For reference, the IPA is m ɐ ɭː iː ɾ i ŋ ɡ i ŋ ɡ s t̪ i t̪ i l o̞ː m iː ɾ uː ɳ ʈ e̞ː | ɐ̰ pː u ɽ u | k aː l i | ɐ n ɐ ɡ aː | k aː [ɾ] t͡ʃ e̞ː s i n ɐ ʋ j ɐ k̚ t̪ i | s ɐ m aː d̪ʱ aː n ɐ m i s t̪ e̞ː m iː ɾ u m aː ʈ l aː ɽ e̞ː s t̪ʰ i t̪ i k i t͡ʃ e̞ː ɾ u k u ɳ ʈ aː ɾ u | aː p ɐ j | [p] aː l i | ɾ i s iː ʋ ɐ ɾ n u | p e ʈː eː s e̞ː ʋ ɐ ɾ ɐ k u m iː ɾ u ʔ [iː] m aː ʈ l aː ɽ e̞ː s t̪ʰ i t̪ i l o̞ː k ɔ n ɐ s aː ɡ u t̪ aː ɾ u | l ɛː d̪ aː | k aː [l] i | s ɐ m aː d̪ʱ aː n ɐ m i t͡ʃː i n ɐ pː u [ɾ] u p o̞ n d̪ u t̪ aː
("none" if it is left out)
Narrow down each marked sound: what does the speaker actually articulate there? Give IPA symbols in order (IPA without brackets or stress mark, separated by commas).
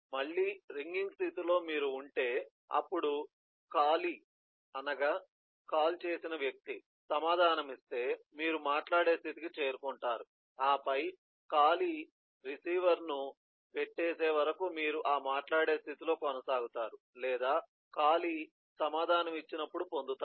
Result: l, k, aː, l, ɽ